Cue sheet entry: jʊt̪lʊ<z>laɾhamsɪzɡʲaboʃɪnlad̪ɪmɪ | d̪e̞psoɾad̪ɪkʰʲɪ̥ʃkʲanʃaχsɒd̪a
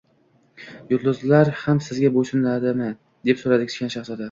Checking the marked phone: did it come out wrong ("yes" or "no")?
no